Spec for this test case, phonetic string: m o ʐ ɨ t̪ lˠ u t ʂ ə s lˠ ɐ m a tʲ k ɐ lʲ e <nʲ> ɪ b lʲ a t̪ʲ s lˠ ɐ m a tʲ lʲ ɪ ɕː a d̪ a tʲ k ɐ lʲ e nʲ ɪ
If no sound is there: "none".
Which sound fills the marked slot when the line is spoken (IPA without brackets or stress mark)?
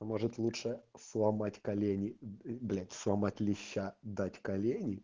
nʲ